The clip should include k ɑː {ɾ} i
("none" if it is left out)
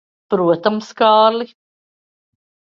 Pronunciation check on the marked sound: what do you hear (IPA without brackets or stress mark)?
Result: l